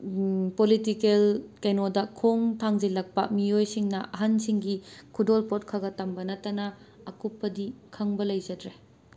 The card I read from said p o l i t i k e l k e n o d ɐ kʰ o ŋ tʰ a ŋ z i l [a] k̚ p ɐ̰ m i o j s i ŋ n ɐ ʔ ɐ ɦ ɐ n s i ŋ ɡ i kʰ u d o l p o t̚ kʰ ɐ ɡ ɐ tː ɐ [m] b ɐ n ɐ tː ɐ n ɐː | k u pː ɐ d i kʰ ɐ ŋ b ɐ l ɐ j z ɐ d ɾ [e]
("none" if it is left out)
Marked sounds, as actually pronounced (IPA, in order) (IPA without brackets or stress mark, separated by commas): ɐ, m, e